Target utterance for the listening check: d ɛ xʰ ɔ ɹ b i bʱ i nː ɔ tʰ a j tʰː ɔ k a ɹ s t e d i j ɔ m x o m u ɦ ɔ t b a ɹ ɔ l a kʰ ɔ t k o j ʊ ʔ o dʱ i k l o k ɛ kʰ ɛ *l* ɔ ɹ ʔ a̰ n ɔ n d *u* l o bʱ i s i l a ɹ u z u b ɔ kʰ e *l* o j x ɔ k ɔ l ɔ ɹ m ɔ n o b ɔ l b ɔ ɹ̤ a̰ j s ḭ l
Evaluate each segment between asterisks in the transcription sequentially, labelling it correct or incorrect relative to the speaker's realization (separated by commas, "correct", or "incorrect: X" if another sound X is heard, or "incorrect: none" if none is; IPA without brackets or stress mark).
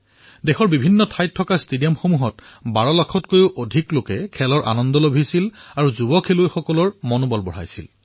correct, incorrect: ɔ, correct